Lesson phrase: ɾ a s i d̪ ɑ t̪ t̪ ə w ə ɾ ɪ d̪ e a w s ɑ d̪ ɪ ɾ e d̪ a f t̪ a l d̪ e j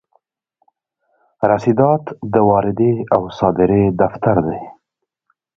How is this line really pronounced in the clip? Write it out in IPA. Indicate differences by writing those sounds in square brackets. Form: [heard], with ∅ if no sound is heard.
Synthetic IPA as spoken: ɾ a s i d̪ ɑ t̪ [d̪] ə w [ɑ] ɾ ɪ d̪ e a w s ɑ d̪ ɪ ɾ e d̪ a f t̪ a [ɾ] d̪ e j